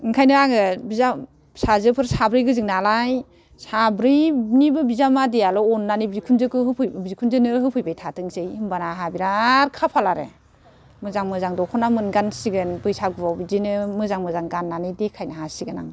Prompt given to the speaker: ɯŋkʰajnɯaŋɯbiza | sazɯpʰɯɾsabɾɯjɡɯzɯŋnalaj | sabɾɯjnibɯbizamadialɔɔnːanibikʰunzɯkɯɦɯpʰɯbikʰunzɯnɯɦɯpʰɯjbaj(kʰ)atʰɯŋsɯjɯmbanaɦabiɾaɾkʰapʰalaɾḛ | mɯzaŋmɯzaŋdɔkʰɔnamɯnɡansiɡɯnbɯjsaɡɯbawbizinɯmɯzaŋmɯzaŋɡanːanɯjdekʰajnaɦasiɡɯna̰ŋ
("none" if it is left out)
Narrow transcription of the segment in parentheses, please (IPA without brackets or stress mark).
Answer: tʰ